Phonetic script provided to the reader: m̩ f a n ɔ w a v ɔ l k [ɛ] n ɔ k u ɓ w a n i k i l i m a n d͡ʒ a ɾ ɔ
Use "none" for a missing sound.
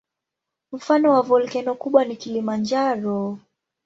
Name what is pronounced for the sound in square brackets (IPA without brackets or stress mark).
ɛ